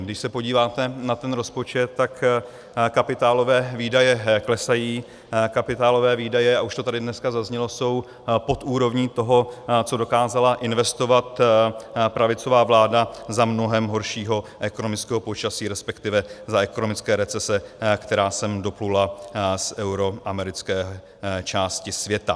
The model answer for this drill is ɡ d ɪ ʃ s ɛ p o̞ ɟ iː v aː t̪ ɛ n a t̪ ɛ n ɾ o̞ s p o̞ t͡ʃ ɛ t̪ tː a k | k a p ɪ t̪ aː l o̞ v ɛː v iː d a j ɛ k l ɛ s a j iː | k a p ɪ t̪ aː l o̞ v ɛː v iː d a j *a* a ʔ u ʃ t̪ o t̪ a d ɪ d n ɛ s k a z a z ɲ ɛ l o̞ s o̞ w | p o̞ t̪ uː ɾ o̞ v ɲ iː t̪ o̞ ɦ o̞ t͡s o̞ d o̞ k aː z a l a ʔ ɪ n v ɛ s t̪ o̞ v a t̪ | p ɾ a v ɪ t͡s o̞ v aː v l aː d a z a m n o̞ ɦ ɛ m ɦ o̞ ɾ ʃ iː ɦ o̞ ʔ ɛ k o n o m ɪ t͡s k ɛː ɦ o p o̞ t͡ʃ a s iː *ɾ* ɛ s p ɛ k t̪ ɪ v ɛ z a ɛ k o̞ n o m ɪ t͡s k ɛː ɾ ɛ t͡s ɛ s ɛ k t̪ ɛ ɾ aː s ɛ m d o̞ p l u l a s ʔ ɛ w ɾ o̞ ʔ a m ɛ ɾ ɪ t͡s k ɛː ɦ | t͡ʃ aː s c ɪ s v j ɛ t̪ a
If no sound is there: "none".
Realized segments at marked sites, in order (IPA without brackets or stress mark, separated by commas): ɛ, ɾ